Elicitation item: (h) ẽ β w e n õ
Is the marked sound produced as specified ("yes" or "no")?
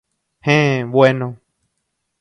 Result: yes